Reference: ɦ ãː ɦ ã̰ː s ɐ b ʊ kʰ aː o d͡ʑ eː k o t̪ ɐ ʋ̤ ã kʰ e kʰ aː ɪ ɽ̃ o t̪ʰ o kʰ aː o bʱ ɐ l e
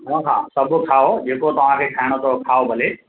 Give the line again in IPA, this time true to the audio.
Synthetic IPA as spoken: ɦ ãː ɦ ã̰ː s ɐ b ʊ kʰ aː o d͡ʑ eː k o t̪ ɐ ʋ̤ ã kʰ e kʰ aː ɪ ɽ̃ o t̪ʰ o kʰ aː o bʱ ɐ l e